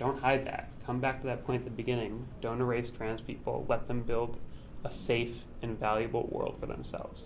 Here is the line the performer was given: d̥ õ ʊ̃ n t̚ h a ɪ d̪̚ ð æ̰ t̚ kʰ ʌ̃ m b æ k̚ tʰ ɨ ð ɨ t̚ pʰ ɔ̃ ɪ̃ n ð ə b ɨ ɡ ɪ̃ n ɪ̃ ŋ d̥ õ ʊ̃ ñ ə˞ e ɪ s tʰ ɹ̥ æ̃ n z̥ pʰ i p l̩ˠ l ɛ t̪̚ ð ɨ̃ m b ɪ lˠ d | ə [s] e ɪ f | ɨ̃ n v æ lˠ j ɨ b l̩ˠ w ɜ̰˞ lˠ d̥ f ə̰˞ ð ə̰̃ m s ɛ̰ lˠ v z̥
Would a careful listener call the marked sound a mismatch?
no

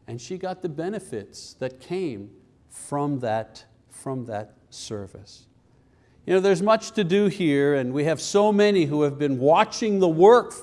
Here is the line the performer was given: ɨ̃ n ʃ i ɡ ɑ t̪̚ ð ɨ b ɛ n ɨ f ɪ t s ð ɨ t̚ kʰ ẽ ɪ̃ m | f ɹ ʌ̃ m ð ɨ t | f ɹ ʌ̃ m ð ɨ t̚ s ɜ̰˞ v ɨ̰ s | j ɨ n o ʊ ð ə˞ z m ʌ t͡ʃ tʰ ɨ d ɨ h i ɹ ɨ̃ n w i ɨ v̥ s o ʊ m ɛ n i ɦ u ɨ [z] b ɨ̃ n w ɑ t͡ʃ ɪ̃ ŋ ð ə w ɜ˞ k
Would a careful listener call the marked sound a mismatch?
yes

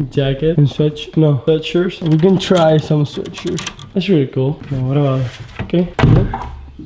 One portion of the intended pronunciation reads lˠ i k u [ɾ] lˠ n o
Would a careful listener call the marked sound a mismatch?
yes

